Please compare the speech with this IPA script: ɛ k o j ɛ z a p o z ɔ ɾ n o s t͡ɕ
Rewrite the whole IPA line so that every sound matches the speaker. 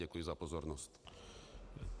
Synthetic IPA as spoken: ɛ k u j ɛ z a p ɔ z ɔ ɾ n ɔ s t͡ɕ